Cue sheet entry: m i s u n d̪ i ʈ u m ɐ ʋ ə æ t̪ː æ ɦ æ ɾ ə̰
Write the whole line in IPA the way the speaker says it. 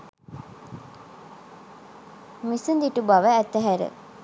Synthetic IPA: m i s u n d̪ i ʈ u b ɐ ʋ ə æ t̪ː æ ɦ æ ɾ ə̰